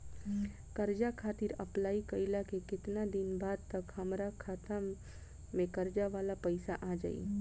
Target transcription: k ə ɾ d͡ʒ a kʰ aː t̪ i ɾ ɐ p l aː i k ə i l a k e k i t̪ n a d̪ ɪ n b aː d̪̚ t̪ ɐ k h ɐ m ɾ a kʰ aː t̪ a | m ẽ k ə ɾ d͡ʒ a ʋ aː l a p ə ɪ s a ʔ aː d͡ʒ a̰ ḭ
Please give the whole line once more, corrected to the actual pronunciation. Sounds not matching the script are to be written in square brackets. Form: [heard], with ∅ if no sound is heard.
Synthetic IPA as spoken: k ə ɾ d͡ʒ a kʰ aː t̪ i ɾ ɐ p l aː i k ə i l a k e k [ɪ] t̪ n a d̪ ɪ n b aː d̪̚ t̪ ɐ k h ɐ m ɾ a kʰ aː t̪ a | m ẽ k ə ɾ d͡ʒ a ʋ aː l a p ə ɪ s a ʔ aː d͡ʒ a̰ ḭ